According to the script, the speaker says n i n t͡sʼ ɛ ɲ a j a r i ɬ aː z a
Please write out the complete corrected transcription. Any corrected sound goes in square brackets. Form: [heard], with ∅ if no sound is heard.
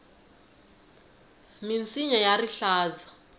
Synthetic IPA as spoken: [m] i n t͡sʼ [i] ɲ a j a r i ɬ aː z a

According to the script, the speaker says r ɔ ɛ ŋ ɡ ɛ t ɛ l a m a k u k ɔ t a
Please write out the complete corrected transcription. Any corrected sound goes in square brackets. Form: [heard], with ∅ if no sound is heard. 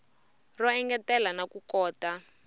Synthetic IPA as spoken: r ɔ ɛ ŋ ɡ ɛ t ɛ l a [n] a k u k [ɔː] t a

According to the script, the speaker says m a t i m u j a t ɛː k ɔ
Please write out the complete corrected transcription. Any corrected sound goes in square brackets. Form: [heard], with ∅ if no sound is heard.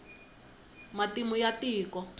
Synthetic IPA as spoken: m a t i m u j a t [iː] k ɔ

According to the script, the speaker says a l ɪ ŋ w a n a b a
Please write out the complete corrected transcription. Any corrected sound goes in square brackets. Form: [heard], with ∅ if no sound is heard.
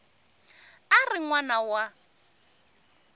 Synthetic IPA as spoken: a [r] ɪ ŋ w a n a [w] a

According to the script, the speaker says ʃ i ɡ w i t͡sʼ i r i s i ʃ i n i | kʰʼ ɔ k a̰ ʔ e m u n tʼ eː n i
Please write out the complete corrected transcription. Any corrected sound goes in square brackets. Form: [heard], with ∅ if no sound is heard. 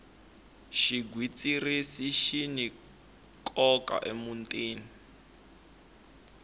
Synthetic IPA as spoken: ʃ i ɡ w i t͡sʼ i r i s i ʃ i n i | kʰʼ ɔ k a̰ ʔ e m u n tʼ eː n i

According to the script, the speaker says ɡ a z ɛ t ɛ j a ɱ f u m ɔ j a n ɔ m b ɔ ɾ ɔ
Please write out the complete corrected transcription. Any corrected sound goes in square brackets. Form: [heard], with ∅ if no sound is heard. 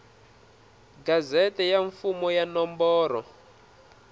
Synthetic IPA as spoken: ɡ a z ɛ t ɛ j a ɱ f u m ɔ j a n ɔ m b [ɔː] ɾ ɔ

